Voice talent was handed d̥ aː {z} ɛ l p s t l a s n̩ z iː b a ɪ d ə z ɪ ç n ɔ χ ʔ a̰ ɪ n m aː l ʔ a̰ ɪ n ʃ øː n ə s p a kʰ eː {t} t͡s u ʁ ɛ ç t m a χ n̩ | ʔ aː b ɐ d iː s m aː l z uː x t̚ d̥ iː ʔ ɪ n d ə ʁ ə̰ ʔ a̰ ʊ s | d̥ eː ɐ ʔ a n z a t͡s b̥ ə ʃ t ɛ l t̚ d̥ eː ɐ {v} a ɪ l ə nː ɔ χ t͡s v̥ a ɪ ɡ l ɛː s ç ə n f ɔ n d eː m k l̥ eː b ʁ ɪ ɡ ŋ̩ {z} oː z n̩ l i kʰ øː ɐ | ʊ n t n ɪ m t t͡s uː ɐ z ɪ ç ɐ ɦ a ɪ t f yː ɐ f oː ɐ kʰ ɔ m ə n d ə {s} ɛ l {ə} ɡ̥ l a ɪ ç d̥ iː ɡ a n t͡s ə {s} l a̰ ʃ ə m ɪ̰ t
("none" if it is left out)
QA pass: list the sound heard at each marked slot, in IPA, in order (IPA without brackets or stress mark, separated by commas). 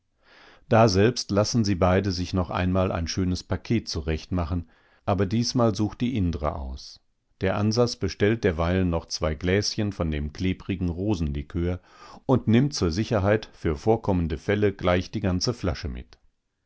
z, t, v, ʁ, f, ə, f